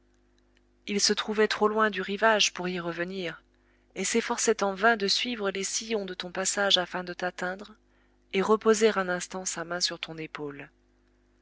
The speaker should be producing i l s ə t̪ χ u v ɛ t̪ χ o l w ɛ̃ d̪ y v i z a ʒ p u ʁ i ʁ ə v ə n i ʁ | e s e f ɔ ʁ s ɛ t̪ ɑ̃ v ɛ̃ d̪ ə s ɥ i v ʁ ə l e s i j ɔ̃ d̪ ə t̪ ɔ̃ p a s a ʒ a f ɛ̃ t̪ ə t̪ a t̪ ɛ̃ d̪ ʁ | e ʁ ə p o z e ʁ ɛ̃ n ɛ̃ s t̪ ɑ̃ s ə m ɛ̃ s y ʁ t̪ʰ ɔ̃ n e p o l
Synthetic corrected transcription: i l s ə t̪ χ u v ɛ t̪ χ o l w ɛ̃ d̪ y ʁ i v a ʒ p u ʁ i ʁ ə v ə n i ʁ | e s e f ɔ ʁ s ɛ t̪ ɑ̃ v ɛ̃ d̪ ə s ɥ i v ʁ ə l e s i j ɔ̃ d̪ ə t̪ ɔ̃ p a s a ʒ a f ɛ̃ d̪ ə t̪ a t̪ ɛ̃ d̪ ʁ | e ʁ ə p o z e ʁ ɛ̃ n ɛ̃ s t̪ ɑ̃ s a m ɛ̃ s y ʁ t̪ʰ ɔ̃ n e p o l